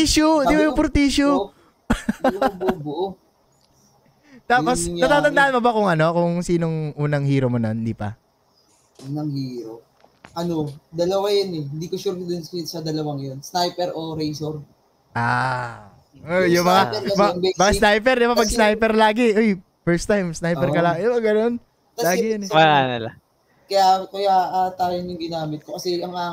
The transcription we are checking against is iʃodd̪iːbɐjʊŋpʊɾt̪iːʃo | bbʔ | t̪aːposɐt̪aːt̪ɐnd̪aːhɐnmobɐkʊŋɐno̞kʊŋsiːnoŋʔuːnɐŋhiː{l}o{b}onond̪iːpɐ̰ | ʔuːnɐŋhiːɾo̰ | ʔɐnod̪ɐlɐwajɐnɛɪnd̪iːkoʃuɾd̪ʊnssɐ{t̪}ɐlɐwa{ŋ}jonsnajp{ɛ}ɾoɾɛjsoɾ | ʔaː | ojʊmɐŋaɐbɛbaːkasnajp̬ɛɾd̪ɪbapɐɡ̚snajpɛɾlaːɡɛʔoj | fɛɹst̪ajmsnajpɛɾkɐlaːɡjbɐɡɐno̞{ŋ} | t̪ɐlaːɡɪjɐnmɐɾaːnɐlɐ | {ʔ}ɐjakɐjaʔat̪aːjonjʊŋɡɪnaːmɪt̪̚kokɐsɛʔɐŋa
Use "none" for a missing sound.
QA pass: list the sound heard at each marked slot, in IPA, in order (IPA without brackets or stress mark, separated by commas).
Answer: ɾ, m, d̪, ŋ, ɛ, n, k